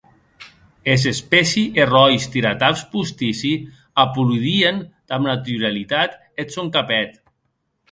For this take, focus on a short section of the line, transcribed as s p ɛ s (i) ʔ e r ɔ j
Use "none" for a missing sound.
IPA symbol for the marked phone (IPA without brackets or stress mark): i